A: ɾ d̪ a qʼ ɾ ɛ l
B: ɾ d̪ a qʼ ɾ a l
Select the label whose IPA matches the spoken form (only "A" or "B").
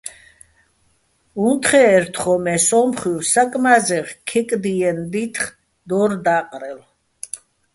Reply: A